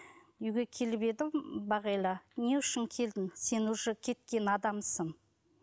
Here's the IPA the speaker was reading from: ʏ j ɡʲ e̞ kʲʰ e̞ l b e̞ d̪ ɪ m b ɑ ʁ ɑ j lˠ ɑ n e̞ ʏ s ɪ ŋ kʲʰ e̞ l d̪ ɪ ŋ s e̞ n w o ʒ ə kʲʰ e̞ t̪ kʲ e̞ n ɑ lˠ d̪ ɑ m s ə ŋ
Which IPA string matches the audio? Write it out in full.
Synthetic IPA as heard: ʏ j ɡʲ e̞ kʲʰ e̞ l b e̞ d̪ ɪ m b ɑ ʁ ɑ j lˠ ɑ n e̞ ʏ ʃ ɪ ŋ kʲʰ e̞ l d̪ ɪ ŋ s e̞ n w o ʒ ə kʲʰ e̞ t̪ kʲ e̞ n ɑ d̪ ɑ m s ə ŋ